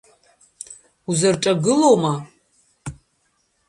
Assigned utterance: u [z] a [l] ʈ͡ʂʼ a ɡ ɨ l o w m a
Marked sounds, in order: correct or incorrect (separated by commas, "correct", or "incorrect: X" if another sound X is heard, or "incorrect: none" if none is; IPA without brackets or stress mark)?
correct, incorrect: r